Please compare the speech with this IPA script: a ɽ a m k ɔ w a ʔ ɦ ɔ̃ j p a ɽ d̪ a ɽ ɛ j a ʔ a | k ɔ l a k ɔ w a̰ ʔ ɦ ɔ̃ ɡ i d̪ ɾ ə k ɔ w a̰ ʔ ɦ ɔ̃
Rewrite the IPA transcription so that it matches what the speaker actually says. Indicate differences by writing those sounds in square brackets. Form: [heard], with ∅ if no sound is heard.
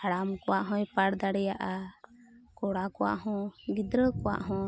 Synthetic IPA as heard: a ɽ a m k ɔ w a ʔ ɦ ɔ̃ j p a ɽ d̪ a ɽ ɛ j a ʔ a | k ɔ [ɽ] a k ɔ w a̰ ʔ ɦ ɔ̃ ɡ i d̪ ɾ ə k ɔ w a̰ ʔ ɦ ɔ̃